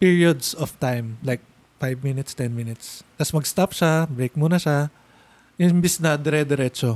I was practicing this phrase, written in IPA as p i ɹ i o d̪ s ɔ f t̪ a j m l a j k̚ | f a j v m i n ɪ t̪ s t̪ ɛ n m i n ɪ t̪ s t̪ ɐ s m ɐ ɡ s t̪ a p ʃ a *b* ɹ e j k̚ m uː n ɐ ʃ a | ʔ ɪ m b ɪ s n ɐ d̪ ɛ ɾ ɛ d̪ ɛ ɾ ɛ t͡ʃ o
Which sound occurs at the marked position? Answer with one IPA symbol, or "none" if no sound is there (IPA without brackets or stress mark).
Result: b